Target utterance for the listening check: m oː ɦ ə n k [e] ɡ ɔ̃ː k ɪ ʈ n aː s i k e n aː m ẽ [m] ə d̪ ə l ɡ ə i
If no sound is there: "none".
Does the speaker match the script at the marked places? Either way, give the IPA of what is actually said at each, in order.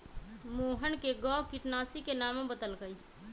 e, b

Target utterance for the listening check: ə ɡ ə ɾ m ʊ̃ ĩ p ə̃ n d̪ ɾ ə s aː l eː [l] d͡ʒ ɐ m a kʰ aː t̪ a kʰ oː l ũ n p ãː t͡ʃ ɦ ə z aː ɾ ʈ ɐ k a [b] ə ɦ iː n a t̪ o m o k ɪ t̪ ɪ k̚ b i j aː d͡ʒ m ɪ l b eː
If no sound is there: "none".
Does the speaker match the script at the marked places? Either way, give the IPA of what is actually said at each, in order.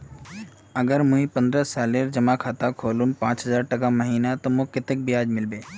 ɾ, m

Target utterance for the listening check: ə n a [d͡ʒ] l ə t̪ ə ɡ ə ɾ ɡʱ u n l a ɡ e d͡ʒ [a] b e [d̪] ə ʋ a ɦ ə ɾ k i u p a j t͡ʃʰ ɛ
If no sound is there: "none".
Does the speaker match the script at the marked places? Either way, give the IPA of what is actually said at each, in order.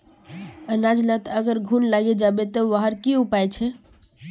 d͡ʒ, a, t̪

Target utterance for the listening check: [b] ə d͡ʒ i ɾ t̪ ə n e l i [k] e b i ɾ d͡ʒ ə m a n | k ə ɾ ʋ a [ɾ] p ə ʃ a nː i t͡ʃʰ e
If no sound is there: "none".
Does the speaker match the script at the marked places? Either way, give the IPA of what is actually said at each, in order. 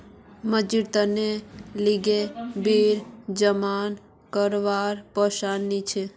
m, ɡ, ɾ

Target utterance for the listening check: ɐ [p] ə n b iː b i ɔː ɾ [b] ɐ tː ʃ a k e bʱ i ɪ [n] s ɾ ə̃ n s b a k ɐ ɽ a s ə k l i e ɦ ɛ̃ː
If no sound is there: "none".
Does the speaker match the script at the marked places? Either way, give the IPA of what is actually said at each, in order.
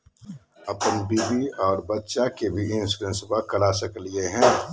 p, b, n

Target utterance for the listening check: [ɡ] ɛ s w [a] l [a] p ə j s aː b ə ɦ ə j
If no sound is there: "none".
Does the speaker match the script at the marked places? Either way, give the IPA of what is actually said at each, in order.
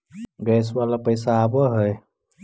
ɡ, a, a

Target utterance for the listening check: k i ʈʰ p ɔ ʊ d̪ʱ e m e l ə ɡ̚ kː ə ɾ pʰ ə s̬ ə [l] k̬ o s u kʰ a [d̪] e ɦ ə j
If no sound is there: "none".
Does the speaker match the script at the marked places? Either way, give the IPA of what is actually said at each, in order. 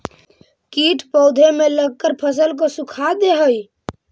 l, d̪

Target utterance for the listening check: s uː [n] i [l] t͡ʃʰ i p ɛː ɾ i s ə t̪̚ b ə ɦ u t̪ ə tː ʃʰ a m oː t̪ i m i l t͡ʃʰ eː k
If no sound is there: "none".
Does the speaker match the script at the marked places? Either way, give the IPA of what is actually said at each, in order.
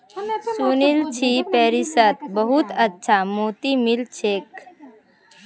n, l

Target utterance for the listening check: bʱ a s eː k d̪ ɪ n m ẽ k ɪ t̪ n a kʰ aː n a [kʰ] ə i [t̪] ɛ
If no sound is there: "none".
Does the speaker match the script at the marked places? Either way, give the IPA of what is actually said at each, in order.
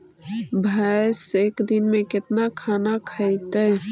kʰ, t̪

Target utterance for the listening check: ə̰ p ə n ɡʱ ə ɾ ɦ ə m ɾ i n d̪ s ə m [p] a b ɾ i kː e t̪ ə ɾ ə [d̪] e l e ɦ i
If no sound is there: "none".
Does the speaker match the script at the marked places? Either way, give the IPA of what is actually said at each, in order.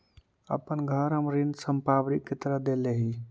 p, d̪

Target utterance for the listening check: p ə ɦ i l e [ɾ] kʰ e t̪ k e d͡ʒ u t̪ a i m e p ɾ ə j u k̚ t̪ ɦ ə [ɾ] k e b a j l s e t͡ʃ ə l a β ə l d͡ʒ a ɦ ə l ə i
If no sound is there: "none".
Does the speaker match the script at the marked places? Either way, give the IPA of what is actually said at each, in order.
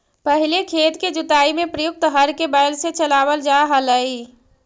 none, ɾ

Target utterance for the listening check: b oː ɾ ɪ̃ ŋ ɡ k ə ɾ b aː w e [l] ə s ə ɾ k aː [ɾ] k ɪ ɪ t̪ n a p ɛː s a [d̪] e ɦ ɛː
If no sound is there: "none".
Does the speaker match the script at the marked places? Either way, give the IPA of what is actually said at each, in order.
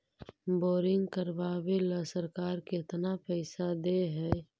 l, ɾ, d̪

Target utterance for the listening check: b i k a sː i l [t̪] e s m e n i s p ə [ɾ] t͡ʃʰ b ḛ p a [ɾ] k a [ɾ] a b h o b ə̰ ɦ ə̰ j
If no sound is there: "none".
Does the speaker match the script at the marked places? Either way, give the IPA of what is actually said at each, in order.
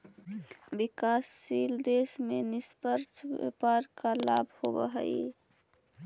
d̪, ɾ, ɾ, l

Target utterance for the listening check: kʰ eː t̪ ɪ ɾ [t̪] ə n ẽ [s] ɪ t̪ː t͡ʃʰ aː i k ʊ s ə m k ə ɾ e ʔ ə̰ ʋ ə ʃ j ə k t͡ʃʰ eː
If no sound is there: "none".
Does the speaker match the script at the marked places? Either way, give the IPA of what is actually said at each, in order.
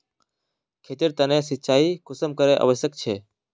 t̪, s

